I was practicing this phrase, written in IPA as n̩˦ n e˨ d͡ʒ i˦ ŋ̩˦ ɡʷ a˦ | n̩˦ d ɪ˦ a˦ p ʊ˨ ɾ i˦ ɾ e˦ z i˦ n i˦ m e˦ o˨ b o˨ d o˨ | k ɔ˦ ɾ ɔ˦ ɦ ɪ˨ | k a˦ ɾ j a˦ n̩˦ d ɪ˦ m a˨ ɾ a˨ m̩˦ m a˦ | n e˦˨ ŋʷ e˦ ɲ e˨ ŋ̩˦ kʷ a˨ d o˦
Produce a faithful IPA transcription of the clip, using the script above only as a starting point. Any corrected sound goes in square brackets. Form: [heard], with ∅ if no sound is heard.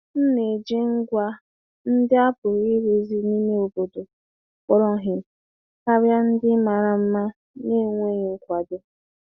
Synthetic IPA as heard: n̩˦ n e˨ d͡ʒ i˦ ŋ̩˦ ɡʷ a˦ | n̩˦ d ɪ˦ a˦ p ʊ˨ ɾ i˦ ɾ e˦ z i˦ n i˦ m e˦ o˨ b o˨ d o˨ | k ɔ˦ ɾ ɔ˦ ɦ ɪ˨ | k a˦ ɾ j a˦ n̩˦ d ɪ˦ m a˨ ɾ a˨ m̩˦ m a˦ | n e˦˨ ŋʷ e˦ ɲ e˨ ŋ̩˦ kʷ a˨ d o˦